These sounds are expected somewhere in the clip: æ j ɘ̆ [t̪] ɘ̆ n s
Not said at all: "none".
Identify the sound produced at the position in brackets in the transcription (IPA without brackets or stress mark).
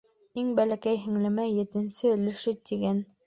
t̪